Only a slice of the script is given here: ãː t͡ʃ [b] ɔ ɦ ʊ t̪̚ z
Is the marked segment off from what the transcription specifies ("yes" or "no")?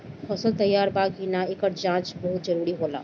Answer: no